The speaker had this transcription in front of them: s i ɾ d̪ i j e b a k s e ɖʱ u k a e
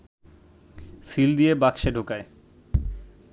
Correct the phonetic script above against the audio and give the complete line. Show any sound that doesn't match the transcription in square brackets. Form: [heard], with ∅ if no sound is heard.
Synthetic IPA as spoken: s i [l] d̪ i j e b a k [ʃ] e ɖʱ [o] k a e